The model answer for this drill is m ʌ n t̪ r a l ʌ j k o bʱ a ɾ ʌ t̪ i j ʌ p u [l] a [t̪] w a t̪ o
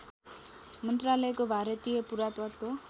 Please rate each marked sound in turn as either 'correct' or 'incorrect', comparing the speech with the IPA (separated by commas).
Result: incorrect, correct